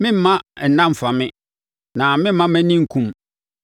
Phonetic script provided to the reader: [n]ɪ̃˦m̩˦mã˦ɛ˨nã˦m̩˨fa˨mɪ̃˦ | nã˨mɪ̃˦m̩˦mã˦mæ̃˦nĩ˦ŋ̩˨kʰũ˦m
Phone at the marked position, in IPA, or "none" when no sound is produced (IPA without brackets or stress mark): m